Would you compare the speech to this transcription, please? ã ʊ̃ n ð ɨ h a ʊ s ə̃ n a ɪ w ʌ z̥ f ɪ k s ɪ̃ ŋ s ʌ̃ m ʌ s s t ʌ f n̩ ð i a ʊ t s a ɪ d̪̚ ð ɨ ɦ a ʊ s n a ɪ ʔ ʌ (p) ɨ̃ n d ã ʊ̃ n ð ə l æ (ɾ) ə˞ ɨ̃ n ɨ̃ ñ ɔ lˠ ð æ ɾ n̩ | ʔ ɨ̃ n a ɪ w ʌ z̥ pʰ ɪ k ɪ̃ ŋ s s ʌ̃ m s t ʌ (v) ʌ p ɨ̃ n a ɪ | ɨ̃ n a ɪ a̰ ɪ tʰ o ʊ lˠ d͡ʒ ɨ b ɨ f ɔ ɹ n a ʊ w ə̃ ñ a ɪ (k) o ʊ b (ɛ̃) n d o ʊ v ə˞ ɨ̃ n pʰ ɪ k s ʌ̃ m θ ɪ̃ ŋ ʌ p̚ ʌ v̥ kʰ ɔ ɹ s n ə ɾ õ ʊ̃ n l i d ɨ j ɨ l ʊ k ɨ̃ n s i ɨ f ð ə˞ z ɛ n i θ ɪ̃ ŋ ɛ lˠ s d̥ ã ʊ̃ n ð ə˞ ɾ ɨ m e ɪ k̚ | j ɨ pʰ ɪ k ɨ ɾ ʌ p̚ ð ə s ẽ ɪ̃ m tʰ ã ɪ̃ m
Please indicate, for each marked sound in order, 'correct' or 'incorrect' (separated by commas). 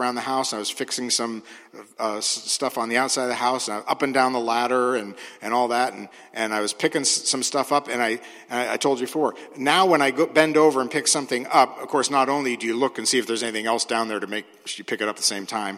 correct, correct, incorrect, incorrect, correct